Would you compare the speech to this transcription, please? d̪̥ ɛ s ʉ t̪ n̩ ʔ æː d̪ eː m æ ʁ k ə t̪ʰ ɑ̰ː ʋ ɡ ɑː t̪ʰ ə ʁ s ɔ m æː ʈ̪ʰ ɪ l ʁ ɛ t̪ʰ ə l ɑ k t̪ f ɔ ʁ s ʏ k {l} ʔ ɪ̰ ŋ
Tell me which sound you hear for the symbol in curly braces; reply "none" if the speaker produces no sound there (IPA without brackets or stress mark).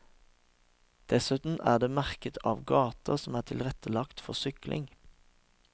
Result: l